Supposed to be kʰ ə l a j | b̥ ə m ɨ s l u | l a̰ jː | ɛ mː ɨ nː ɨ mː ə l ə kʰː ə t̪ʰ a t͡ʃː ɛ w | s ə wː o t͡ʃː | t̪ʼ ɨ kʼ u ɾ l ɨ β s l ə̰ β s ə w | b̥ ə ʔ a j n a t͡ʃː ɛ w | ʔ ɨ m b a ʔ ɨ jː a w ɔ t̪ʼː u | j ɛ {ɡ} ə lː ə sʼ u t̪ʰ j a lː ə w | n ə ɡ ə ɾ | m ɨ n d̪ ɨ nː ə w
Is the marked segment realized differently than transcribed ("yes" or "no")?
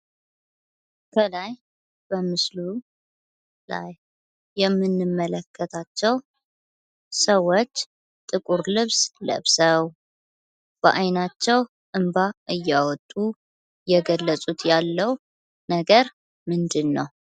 no